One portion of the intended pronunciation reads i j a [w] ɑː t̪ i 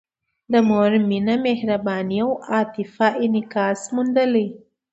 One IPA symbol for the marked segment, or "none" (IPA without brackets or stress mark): w